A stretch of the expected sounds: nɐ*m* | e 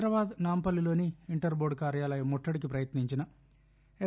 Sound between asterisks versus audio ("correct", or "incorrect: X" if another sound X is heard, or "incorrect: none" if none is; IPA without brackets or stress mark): incorrect: none